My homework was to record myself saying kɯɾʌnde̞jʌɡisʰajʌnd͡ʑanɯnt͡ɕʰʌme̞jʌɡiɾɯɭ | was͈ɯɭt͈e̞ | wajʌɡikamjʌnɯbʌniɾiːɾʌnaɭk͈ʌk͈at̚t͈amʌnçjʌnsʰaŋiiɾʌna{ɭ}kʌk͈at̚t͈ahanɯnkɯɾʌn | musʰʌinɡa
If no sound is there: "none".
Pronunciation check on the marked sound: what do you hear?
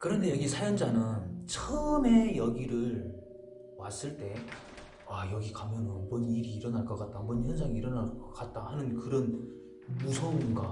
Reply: ɭ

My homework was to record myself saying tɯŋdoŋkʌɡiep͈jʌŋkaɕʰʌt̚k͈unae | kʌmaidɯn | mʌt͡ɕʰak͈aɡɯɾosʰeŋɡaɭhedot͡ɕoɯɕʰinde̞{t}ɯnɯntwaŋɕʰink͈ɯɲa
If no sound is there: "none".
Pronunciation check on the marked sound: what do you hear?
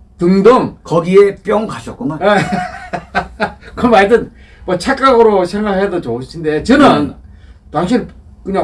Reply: t͡ɕ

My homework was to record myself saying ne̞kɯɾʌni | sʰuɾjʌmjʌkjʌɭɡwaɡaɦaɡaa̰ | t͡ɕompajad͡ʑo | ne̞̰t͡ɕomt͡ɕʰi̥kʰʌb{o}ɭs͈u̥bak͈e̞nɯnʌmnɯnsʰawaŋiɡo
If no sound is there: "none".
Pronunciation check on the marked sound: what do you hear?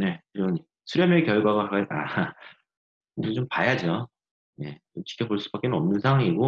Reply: o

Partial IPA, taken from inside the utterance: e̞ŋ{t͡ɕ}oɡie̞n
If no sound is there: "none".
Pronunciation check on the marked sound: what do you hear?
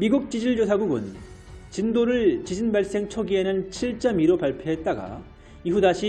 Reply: t͡ɕʰ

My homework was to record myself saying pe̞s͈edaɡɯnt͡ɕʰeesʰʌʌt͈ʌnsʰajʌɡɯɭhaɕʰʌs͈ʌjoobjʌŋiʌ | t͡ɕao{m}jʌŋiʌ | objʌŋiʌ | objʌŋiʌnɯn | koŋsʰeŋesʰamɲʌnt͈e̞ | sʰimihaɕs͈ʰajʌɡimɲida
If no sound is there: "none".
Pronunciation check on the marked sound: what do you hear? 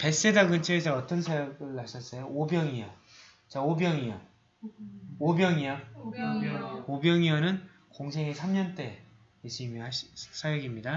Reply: b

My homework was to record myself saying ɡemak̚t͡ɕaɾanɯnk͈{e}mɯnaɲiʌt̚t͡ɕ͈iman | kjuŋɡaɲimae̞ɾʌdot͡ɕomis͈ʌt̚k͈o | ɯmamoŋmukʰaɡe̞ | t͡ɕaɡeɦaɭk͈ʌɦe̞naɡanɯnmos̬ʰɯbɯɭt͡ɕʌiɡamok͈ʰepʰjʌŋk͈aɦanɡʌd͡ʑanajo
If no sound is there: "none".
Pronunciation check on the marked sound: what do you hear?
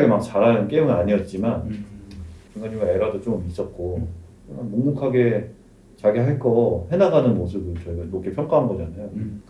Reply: e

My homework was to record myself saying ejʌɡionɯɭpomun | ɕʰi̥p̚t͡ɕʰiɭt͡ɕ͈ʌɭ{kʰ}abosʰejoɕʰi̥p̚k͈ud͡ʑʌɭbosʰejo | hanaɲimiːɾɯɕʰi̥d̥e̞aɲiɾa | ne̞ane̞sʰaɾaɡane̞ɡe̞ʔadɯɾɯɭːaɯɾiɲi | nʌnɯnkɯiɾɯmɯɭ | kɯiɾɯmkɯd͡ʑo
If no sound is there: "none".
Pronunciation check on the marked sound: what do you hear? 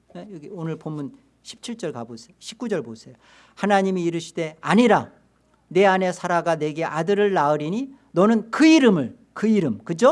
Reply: k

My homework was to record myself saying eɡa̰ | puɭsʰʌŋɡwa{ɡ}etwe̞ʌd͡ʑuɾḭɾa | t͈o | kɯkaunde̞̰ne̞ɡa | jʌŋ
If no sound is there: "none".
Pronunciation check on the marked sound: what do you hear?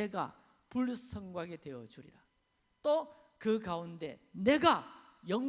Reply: ɡ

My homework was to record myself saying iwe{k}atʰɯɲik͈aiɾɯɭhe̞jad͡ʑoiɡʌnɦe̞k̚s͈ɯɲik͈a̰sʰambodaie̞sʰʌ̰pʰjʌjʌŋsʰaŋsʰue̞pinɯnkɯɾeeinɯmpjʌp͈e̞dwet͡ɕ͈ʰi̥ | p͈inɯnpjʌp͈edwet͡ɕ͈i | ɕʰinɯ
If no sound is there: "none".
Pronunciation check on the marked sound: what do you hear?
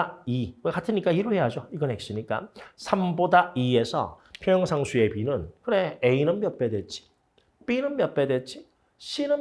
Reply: k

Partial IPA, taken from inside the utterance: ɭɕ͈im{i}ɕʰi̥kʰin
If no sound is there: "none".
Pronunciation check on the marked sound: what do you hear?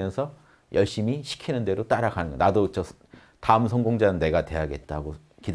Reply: i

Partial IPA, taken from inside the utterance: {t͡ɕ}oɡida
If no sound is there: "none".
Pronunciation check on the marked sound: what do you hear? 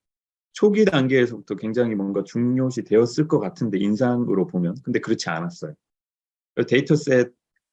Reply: t͡ɕʰ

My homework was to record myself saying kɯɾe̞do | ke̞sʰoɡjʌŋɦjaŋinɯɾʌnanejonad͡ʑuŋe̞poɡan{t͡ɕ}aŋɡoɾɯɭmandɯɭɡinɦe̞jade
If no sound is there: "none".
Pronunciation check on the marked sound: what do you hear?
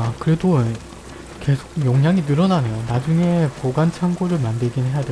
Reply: t͡ɕʰ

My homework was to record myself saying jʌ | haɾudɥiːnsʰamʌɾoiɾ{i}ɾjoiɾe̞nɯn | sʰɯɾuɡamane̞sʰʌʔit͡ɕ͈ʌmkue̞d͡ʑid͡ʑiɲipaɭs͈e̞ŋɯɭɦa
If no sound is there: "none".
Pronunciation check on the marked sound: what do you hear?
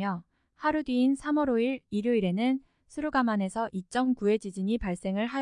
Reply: i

